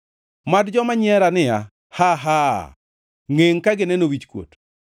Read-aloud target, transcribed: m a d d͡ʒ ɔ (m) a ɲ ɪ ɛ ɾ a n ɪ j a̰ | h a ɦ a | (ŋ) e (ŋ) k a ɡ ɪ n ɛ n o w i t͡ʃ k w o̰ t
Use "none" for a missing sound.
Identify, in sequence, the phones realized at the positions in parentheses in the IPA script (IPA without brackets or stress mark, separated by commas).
m, ŋ, ŋ